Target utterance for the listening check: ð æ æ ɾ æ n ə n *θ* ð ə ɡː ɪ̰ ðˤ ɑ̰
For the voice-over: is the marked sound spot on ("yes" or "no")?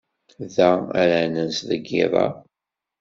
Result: no